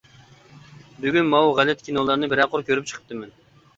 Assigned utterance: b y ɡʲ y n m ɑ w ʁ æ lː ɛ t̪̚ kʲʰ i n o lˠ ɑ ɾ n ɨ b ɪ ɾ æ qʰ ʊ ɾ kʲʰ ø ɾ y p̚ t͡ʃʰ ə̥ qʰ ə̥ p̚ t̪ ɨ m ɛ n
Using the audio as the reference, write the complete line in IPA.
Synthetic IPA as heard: b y ɡʲ y n m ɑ w ʁ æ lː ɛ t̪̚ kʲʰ i n o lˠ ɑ ɾ n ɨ b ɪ ɾ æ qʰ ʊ ɾ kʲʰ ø ɾ y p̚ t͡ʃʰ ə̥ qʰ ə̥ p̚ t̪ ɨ m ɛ n